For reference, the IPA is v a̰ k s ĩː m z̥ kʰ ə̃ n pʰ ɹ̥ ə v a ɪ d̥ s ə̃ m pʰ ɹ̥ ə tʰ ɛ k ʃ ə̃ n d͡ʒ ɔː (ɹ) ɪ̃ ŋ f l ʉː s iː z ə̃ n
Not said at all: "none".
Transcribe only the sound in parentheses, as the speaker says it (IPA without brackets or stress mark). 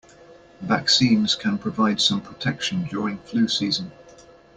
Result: ɹ